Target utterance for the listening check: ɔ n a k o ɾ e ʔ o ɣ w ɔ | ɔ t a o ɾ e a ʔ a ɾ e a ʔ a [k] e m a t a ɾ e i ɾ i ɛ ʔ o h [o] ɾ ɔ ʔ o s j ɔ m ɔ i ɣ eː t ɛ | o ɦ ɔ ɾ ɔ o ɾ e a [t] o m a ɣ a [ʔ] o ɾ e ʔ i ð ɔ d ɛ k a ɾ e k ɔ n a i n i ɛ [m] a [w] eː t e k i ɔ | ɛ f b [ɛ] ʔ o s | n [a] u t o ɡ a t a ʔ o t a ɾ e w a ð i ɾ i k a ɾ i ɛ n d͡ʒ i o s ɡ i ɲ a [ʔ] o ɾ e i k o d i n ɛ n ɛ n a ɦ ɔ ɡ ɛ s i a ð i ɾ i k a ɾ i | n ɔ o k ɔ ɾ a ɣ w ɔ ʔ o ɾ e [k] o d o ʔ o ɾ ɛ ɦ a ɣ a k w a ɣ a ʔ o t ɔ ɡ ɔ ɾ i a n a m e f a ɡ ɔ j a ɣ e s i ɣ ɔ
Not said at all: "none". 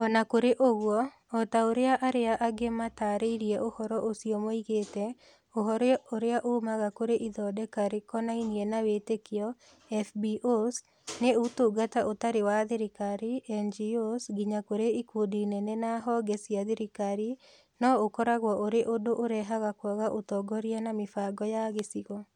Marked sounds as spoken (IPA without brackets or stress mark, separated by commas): ɡ, ɔ, ʔ, k, n, w, i, e, k, ʔ